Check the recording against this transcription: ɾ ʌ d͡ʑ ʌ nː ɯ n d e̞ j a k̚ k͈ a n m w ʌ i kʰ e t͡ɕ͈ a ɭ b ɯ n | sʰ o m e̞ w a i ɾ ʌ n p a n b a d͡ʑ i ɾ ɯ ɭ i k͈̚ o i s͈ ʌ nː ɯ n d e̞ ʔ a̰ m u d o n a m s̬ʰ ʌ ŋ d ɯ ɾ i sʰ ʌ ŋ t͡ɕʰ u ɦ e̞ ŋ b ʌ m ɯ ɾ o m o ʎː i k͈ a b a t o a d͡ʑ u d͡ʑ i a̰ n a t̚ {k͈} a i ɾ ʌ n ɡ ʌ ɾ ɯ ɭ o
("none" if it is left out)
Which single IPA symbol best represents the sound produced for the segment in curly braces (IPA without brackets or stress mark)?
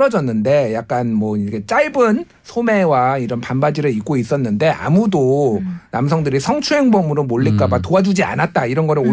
t͈